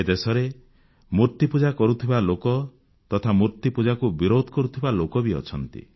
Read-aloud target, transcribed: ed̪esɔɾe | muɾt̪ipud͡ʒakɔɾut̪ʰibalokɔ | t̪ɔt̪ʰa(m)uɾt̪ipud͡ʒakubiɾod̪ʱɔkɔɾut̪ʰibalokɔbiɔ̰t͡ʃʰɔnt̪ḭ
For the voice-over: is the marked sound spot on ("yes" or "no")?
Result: yes